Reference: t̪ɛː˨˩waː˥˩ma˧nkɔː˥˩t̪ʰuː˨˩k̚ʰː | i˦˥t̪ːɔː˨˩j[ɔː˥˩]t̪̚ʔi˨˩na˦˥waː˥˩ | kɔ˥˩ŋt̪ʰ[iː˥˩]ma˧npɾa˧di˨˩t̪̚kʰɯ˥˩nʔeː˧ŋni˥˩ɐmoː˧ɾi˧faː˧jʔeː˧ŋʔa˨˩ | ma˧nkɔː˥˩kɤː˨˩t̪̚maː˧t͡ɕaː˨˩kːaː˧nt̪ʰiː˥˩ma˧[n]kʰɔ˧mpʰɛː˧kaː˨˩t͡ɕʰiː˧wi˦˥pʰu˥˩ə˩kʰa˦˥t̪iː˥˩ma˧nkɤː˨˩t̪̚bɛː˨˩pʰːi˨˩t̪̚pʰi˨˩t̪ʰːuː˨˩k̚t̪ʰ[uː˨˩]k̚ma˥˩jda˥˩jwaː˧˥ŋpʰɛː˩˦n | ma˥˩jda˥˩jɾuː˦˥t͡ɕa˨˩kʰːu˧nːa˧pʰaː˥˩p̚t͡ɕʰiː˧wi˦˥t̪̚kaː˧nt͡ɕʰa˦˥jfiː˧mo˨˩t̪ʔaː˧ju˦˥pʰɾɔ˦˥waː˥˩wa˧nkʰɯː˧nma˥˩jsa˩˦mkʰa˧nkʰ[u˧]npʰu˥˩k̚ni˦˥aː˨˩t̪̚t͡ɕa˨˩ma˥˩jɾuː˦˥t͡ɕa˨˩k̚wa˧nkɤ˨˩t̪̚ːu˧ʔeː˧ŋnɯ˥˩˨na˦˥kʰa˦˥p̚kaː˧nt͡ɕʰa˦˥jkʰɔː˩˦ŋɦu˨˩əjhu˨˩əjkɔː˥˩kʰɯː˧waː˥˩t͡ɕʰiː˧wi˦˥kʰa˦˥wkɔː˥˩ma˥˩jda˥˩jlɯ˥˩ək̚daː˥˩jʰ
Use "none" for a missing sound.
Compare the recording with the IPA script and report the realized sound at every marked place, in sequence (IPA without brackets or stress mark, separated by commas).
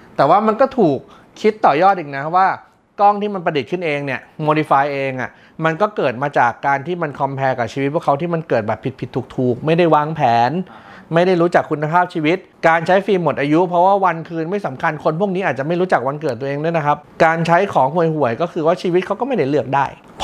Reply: ɔː˥˩, iː˥˩, n, uː˨˩, o˧